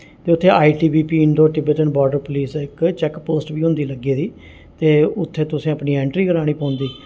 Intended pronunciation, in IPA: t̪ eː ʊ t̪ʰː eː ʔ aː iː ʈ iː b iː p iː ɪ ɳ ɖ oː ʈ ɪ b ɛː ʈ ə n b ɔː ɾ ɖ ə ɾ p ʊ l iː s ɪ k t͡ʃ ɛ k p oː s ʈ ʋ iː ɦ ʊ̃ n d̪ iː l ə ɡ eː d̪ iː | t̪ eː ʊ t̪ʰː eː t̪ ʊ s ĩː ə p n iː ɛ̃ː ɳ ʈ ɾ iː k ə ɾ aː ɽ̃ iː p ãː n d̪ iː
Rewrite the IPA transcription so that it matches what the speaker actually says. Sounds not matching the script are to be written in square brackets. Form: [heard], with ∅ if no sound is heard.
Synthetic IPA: t̪ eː ʊ t̪ʰː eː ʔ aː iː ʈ iː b iː p iː ɪ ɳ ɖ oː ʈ ɪ b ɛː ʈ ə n b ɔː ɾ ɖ ə ɾ p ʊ l iː s ɪ k t͡ʃ ɛ k p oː s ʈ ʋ iː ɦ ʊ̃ n d̪ iː l ə ɡ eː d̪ iː | t̪ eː ʊ t̪ʰː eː t̪ ʊ s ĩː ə p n iː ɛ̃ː ɳ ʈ ɾ iː k ə ɾ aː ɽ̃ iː p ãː n d̪ iː